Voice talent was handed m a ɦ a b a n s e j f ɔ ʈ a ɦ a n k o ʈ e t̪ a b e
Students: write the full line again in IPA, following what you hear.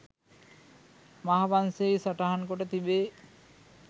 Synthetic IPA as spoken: m a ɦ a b a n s e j s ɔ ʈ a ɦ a n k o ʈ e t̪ i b e